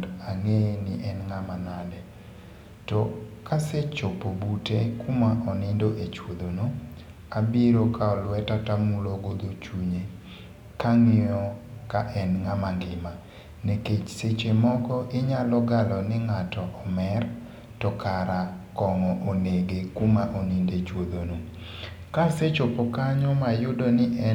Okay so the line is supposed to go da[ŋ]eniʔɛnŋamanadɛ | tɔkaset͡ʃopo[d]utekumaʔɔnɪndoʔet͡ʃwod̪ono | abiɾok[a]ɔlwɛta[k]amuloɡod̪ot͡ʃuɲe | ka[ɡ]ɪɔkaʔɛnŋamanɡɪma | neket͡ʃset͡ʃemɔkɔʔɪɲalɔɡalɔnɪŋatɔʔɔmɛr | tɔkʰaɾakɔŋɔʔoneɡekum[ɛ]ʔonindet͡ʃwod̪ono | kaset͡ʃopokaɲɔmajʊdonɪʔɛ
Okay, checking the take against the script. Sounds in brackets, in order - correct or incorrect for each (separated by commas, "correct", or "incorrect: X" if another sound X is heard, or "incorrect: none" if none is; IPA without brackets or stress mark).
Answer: correct, incorrect: b, correct, incorrect: t, incorrect: ŋ, incorrect: a